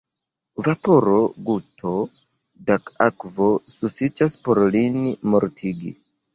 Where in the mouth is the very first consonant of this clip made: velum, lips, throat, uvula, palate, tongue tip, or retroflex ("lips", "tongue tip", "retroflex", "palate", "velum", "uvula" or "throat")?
lips